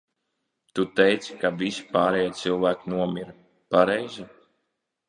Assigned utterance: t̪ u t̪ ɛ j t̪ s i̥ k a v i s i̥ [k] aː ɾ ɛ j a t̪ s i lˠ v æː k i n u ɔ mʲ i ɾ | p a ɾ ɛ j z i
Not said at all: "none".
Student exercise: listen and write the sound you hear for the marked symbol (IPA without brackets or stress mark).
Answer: p